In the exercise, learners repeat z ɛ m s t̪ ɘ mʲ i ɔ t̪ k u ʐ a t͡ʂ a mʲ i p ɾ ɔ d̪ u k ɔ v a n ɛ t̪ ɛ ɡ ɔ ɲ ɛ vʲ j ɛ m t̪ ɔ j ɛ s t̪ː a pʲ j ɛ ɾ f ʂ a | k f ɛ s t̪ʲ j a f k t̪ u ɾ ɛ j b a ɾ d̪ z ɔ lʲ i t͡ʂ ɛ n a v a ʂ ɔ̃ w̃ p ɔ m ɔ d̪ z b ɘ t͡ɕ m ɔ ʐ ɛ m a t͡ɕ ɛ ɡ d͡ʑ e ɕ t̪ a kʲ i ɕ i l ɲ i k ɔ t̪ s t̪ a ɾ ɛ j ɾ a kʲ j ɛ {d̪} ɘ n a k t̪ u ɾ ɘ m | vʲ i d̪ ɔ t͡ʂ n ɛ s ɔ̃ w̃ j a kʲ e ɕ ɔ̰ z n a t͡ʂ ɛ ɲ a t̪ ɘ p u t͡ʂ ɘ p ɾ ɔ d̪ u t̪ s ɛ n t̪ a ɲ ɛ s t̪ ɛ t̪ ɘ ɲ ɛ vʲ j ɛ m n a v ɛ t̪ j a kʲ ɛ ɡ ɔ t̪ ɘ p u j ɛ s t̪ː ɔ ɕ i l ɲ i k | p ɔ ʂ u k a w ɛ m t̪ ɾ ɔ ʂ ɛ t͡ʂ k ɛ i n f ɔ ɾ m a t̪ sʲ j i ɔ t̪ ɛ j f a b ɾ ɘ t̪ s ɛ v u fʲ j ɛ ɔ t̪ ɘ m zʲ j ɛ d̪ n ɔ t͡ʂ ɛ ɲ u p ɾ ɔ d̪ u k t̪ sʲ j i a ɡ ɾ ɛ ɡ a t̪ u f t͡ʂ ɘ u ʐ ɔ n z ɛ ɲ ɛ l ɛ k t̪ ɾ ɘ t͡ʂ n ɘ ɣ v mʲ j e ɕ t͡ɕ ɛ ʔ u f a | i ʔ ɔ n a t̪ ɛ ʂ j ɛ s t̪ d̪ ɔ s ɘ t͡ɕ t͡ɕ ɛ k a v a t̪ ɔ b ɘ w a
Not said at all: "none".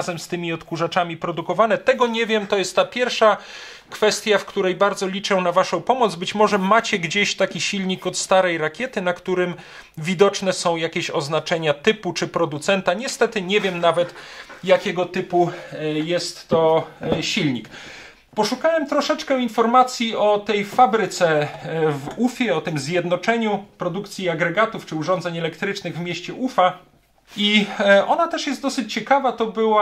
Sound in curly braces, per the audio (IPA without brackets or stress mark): t̪